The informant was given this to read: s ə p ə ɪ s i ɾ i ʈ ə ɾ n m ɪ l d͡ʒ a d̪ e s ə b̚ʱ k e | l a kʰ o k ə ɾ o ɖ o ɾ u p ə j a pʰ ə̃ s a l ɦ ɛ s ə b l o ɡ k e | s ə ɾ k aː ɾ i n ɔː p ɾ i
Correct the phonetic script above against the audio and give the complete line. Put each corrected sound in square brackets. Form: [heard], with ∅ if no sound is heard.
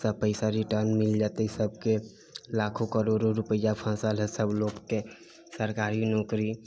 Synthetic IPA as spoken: s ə p ə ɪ s [a] ɾ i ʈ ə ɾ n m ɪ l d͡ʒ a [t̪] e s ə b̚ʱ k e | l a kʰ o k ə ɾ o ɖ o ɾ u p ə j a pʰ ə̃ s a l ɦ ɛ s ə b l o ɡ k e | s ə ɾ k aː ɾ i n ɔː [k] ɾ i